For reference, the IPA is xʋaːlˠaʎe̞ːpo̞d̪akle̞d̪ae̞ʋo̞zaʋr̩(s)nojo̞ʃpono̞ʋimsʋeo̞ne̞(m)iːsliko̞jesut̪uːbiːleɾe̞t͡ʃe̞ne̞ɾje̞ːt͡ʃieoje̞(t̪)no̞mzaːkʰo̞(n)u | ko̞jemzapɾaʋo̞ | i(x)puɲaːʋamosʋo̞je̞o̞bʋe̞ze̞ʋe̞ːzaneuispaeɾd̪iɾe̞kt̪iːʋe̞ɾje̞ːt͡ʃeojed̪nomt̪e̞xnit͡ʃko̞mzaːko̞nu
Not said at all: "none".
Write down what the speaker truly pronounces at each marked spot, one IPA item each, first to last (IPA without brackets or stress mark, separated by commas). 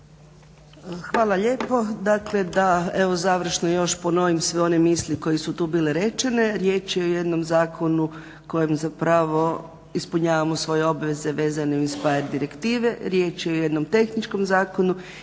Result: ʃ, m, d̪, n, s